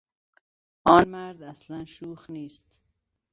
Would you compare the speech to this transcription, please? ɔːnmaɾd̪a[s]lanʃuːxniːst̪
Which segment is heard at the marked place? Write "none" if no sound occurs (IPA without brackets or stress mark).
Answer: s